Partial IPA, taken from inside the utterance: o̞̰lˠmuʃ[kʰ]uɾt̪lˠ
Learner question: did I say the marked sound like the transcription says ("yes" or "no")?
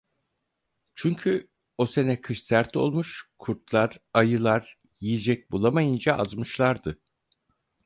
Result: yes